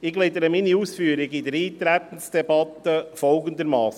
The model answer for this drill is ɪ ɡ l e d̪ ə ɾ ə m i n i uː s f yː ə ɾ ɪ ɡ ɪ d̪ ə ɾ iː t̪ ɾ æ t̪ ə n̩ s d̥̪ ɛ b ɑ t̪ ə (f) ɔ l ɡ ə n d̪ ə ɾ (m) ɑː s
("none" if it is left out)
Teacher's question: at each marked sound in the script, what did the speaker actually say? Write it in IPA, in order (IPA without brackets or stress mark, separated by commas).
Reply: f, m